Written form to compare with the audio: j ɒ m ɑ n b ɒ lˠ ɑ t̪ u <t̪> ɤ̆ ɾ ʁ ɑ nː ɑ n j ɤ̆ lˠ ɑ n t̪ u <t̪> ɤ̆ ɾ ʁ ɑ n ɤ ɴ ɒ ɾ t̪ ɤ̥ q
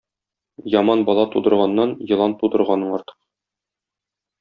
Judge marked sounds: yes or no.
no, no

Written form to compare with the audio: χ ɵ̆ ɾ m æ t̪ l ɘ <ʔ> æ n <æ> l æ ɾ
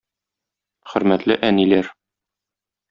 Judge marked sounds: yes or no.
yes, no

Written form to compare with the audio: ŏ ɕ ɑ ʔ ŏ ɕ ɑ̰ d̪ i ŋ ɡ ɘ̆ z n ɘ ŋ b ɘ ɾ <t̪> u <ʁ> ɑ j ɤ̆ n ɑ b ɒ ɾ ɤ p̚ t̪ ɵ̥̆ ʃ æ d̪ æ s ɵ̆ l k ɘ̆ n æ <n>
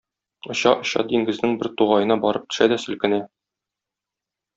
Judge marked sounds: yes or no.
yes, yes, no

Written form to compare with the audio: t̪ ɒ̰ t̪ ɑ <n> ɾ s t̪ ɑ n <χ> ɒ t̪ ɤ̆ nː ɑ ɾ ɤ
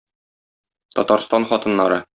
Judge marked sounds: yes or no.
no, yes

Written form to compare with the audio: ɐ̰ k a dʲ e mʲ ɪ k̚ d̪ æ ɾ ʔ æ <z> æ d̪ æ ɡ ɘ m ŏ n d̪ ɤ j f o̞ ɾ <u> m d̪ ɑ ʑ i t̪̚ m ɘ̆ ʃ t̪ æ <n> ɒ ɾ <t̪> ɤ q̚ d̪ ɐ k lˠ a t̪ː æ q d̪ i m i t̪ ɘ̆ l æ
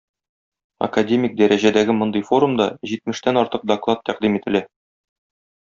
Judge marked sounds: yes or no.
no, yes, yes, yes

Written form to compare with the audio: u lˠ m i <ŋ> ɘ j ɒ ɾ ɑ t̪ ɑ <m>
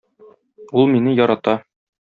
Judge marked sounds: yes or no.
no, no

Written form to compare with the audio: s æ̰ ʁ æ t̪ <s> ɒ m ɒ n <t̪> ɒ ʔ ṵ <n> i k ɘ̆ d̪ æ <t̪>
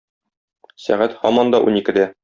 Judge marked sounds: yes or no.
no, no, yes, no

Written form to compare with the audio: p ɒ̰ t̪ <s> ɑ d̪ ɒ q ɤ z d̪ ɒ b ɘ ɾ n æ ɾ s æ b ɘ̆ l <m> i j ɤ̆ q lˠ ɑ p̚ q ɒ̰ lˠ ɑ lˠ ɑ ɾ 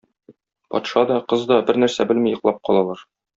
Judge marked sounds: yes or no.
no, yes

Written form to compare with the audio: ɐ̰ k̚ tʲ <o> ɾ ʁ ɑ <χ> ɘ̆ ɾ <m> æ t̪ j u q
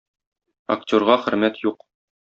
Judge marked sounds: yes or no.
yes, yes, yes

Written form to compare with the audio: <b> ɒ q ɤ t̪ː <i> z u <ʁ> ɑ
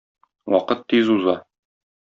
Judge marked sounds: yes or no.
no, yes, no

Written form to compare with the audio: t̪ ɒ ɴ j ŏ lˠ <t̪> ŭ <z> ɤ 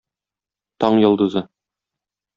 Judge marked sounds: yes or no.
no, yes

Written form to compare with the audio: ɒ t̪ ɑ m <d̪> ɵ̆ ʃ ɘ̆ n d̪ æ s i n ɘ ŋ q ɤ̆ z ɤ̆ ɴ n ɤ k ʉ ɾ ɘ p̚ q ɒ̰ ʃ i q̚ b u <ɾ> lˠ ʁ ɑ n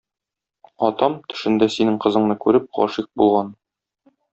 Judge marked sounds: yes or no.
no, no

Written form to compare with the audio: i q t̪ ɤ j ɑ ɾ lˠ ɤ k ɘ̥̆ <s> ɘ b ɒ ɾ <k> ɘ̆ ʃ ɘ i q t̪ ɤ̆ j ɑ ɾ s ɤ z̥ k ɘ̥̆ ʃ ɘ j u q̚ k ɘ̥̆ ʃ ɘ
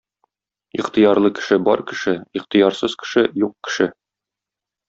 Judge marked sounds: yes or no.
no, yes

